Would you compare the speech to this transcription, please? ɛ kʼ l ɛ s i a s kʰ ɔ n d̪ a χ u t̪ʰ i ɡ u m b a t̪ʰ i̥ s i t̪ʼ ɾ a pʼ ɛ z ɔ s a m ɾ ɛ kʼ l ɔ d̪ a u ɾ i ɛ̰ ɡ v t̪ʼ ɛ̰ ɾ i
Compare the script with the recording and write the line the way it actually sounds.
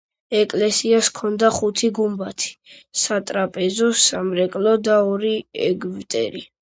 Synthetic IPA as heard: ɛ kʼ l ɛ s i a s kʰ ɔ n d̪ a χ u t̪ʰ i ɡ u m b a t̪ʰ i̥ s a t̪ʼ ɾ a pʼ ɛ z ɔ s a m ɾ ɛ kʼ l ɔ d̪ a ɔ ɾ i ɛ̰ ɡ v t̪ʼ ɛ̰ ɾ i

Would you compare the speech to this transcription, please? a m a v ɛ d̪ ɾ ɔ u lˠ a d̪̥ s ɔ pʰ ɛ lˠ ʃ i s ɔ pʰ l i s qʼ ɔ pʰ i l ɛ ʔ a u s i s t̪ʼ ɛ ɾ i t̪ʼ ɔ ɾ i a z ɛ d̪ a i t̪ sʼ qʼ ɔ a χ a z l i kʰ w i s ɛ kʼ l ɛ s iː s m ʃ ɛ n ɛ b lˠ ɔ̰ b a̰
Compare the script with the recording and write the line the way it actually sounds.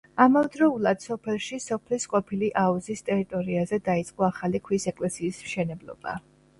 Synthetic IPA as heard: a m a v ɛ d̪ ɾ ɔ u lˠ a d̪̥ s ɔ pʰ ɛ lˠ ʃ i s ɔ pʰ l i s qʼ ɔ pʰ i l i ʔ a u z i s t̪ʼ ɛ ɾ i t̪ʼ ɔ ɾ i a z ɛ d̪ a i t̪ sʼ qʼ ɔ a χ a l i kʰ w i s ɛ kʼ l ɛ s iː s m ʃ ɛ n ɛ b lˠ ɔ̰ b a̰

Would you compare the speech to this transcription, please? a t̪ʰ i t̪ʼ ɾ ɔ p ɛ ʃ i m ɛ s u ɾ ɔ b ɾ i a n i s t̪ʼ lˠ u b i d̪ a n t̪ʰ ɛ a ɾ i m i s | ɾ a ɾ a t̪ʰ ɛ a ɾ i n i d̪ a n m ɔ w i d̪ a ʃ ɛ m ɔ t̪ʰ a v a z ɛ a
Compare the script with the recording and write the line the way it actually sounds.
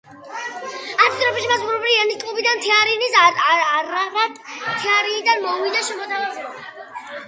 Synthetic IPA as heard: a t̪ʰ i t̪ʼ ɾ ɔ p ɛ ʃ i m a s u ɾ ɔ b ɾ i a n i s t̪ʼ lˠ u b i d̪ a n t̪ʰ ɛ a ɾ i n i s | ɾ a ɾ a t̪ʰ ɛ a ɾ i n i d̪ a n m ɔ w i d̪ a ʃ ɛ m ɔ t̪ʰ a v a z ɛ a

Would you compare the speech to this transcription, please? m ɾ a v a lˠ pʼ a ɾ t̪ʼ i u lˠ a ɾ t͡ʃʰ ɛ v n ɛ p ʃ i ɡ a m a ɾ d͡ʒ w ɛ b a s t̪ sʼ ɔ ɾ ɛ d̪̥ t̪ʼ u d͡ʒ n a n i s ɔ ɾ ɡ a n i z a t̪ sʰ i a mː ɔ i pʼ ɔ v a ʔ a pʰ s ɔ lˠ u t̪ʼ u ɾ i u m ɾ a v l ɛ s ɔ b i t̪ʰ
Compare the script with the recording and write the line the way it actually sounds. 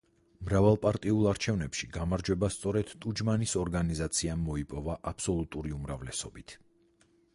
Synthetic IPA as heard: m ɾ a v a lˠ pʼ a ɾ t̪ʼ i u lˠ a ɾ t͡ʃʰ ɛ v n ɛ p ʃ i ɡ a m a ɾ d͡ʒ w ɛ b a s t̪ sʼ ɔ ɾ ɛ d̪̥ t̪ʼ u d͡ʒ m a n i s ɔ ɾ ɡ a n i z a t̪ sʰ i a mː ɔ i pʼ ɔ v a ʔ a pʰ s ɔ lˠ u t̪ʼ u ɾ i u m ɾ a v l ɛ s ɔ b i t̪ʰ

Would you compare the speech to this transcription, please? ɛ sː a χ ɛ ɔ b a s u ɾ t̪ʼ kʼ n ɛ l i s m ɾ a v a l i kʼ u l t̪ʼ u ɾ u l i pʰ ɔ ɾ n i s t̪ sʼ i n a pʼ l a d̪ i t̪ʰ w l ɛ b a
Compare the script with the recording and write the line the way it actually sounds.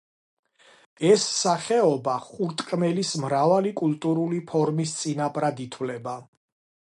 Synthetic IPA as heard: ɛ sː a χ ɛ ɔ b a χ u ɾ t̪ʼ kʼ m ɛ l i s m ɾ a v a l i kʼ u l t̪ʼ u ɾ u l i pʰ ɔ ɾ m i s t̪ sʼ i n a pʼ ɾ a d̪ i t̪ʰ w l ɛ b a

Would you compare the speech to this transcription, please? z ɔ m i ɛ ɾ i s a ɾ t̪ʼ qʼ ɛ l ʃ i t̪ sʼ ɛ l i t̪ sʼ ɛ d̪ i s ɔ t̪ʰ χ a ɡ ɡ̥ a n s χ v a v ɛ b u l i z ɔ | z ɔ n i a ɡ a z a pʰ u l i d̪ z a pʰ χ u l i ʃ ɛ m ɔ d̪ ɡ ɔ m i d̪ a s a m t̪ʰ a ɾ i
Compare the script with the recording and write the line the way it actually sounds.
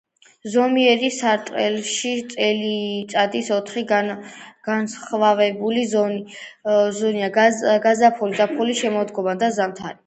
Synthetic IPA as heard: z ɔ m i ɛ ɾ i s a ɾ t̪ʼ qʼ ɛ l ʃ i t̪ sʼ ɛ l i t̪ sʼ a d̪ i s ɔ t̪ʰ χ i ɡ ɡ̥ a n s χ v a v ɛ b u l i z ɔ | z ɔ n i a ɡ a z a pʰ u l i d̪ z a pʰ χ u l i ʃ ɛ m ɔ d̪ ɡ ɔ m a d̪ a z a m t̪ʰ a ɾ i

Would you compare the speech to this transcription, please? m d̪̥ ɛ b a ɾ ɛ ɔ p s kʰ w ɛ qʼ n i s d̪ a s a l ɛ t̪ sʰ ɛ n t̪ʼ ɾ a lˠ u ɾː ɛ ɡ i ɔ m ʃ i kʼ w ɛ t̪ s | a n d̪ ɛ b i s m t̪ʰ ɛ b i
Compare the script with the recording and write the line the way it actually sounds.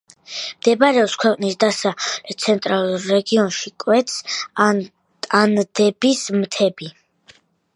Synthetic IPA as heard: m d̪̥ ɛ b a ɾ ɛ ɔ p s kʰ w ɛ qʼ n i s d̪ a s a l ɛ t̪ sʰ ɛ n t̪ʼ ɾ a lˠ u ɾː ɛ ɡ i ɔ n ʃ i kʼ w ɛ t̪ s | a n d̪ ɛ b i s m t̪ʰ ɛ b i

